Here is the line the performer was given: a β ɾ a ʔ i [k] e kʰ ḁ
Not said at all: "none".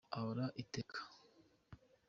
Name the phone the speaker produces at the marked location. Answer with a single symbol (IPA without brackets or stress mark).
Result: t